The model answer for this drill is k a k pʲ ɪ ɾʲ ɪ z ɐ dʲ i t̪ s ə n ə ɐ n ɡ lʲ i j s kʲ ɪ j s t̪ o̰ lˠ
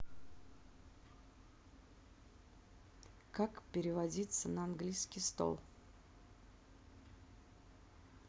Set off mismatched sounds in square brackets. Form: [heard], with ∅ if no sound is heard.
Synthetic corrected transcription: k a k pʲ ɪ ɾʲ ɪ [v] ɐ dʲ i t̪ s ə n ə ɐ n ɡ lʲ i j s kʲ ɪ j s t̪ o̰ lˠ